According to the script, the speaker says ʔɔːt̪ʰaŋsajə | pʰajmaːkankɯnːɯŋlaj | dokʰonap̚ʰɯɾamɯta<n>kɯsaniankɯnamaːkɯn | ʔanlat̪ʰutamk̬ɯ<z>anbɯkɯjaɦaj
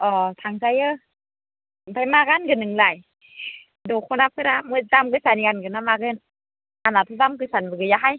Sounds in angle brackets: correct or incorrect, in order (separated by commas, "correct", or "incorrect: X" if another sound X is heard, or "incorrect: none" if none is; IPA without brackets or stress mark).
incorrect: m, incorrect: s